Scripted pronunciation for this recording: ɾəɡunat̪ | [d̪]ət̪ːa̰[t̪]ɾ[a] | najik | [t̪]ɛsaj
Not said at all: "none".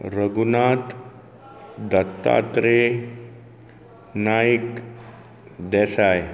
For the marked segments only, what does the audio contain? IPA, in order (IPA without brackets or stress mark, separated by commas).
d̪, t̪, e, d̪